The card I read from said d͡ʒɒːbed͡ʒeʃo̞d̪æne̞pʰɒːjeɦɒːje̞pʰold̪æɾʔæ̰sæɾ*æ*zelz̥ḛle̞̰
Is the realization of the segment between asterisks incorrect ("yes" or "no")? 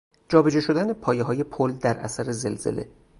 yes